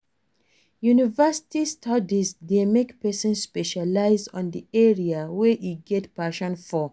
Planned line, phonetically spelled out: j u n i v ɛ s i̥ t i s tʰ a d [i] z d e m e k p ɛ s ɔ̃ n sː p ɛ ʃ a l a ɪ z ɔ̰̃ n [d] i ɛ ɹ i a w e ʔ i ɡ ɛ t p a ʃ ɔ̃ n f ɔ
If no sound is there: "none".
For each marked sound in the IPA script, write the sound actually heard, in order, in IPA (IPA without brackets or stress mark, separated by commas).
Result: i, d